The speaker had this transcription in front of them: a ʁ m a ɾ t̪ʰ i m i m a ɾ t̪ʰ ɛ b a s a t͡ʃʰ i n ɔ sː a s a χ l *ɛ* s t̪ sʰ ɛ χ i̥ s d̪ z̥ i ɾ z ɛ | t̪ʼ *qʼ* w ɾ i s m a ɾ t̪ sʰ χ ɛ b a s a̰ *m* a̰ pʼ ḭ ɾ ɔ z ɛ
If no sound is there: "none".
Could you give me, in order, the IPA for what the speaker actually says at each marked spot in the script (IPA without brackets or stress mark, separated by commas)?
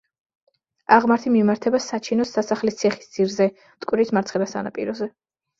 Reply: i, kʼ, n